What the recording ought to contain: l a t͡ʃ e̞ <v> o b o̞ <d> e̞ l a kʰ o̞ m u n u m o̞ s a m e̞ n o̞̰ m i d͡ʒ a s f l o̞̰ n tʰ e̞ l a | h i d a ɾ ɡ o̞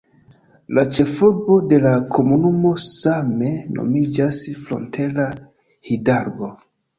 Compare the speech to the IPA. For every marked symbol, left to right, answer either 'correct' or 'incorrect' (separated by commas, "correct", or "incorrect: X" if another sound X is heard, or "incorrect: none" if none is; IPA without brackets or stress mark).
incorrect: f, correct